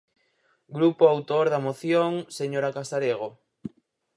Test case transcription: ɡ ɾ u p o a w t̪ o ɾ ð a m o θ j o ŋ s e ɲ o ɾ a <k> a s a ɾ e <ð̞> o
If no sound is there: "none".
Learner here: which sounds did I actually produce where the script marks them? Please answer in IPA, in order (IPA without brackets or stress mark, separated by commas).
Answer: k, ɣ̞